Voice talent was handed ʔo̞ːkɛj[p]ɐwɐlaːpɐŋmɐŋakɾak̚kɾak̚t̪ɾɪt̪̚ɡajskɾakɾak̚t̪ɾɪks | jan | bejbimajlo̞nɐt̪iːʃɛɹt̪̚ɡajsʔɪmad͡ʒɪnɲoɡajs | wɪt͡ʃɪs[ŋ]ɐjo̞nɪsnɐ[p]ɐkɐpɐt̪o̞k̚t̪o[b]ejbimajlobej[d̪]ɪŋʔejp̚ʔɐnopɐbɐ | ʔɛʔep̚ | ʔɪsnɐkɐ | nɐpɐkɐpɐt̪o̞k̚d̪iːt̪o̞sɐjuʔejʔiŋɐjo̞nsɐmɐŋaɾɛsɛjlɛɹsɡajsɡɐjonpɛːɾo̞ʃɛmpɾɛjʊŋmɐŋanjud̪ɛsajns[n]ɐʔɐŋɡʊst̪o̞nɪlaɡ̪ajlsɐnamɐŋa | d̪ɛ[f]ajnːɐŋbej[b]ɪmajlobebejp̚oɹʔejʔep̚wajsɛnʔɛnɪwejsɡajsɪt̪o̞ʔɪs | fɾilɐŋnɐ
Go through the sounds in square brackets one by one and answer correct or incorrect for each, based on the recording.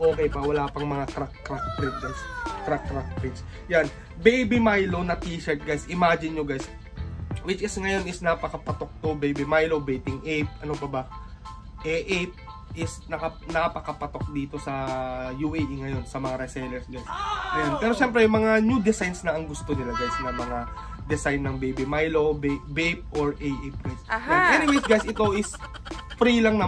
correct, correct, correct, correct, incorrect: t̪, correct, incorrect: s, correct

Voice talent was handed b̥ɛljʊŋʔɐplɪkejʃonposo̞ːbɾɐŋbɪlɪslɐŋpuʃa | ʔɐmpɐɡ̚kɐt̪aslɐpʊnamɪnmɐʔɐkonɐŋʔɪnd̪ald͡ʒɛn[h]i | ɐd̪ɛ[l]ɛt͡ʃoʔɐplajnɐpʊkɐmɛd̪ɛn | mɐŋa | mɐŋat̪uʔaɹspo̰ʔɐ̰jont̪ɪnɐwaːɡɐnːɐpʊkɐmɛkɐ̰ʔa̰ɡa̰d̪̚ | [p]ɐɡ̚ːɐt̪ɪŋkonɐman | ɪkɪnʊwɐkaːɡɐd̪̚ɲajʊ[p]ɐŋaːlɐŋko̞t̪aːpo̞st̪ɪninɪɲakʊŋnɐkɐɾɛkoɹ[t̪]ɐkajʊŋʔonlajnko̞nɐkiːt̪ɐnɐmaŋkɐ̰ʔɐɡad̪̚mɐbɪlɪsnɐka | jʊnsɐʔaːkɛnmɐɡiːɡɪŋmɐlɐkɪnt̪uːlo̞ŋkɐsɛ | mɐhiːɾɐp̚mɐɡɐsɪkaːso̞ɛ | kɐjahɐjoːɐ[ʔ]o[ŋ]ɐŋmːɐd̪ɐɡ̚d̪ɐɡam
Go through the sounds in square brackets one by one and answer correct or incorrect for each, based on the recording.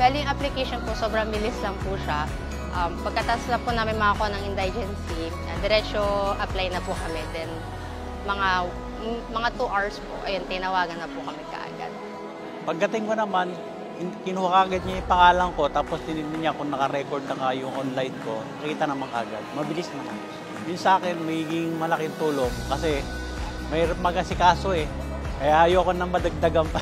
incorrect: s, incorrect: ɾ, correct, correct, incorrect: d̪, incorrect: k, incorrect: n

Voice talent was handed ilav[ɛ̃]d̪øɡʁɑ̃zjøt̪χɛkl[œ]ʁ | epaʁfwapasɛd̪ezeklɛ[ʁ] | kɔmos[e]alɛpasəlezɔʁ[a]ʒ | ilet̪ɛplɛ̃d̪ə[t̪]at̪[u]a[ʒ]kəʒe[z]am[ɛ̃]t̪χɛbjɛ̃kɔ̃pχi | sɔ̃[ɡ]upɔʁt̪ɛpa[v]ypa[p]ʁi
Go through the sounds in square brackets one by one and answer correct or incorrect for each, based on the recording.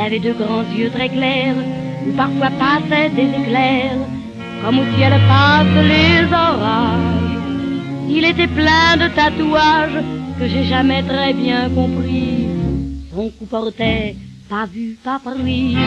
incorrect: ɛ, incorrect: ɛ, correct, incorrect: i, correct, correct, correct, correct, incorrect: ʒ, incorrect: ɛ, incorrect: k, correct, correct

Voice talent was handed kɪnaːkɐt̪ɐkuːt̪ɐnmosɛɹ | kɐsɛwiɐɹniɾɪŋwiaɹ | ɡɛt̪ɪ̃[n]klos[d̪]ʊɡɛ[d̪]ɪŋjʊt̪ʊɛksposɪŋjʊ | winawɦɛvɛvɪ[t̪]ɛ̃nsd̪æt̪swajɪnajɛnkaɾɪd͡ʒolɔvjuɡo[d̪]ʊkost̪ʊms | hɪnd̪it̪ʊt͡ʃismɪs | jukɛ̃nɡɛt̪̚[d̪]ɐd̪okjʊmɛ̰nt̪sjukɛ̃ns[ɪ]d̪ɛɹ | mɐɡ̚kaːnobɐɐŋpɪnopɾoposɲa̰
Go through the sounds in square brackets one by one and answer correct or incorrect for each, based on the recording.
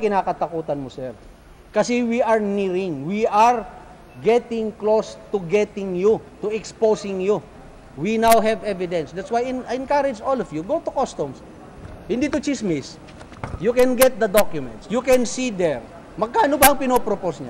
incorrect: ŋ, incorrect: t̪, incorrect: t̪, incorrect: d̪, incorrect: t̪, correct, incorrect: i

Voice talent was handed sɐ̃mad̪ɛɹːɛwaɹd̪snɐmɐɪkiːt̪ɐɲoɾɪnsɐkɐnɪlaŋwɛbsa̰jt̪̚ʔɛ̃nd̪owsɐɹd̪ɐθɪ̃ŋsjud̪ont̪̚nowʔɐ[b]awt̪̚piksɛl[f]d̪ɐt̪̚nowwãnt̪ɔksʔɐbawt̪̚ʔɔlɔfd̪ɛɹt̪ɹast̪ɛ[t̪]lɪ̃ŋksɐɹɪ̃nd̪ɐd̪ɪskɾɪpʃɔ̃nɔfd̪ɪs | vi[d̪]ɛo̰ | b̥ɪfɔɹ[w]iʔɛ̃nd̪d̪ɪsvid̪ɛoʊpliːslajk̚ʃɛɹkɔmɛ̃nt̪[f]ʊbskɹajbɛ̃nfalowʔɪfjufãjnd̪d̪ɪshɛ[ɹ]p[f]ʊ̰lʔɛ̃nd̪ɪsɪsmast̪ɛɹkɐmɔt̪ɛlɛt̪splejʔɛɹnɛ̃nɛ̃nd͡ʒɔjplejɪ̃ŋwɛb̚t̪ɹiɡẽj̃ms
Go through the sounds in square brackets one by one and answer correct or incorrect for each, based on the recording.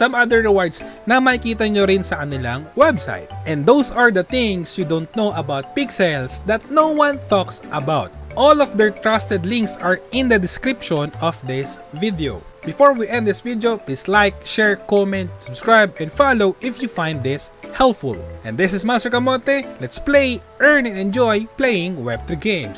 correct, incorrect: s, incorrect: d̪, correct, correct, incorrect: s, incorrect: l, correct

